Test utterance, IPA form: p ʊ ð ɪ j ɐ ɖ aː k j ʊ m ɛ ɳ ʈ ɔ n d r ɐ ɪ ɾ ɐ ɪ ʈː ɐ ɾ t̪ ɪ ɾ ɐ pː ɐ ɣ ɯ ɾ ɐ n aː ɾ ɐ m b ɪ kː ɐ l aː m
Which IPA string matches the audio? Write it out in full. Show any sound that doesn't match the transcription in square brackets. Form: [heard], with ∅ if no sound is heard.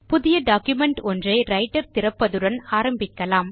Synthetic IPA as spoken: p ʊ ð ɪ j ɐ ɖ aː k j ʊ m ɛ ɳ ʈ ɔ n d r ɐ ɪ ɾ ɐ ɪ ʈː ɐ ɾ t̪ ɪ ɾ ɐ pː ɐ [ð] ɯ [ɽ] ɐ n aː ɾ ɐ m b ɪ kː ɐ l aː m